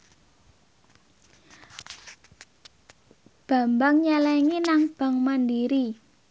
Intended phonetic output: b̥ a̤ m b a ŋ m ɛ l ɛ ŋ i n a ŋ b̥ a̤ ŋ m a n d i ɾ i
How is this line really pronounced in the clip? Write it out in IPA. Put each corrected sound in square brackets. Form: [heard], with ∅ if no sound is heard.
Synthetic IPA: b̥ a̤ m b a ŋ [ɲ] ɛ l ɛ ŋ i n a ŋ b̥ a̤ ŋ m a n d i ɾ i